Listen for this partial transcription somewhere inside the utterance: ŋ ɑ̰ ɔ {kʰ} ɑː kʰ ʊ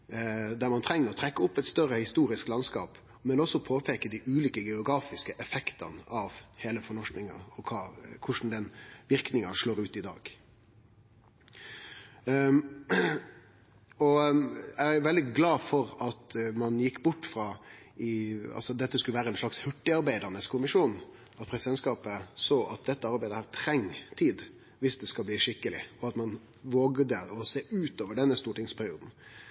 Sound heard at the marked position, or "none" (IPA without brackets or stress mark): kʰ